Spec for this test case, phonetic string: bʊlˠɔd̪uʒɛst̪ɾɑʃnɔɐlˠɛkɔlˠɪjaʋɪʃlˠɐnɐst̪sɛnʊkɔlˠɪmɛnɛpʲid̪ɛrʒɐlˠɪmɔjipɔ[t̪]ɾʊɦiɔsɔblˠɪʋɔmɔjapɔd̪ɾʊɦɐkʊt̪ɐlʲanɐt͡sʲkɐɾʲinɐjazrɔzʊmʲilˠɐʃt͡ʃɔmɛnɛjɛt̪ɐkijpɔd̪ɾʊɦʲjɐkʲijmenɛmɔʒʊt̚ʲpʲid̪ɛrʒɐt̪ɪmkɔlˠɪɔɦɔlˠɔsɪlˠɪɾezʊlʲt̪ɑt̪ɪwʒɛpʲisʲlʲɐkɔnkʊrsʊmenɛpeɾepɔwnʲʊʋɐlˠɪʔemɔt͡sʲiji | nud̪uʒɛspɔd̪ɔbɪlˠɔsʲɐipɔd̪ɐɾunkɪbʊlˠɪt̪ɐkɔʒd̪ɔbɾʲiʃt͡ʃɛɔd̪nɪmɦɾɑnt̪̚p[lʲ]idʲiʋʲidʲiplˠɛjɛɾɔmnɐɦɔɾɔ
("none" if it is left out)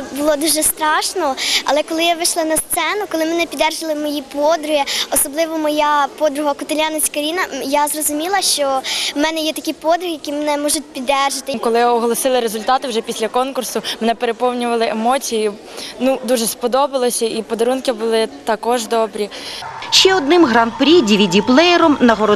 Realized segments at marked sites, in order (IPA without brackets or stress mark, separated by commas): d̪, ɾʲ